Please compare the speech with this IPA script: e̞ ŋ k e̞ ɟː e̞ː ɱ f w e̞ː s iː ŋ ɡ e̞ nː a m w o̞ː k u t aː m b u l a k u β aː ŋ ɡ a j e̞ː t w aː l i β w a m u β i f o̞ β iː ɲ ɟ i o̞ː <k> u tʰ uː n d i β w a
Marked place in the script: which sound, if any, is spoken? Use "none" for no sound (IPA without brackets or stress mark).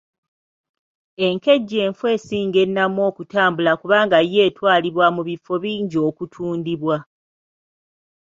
k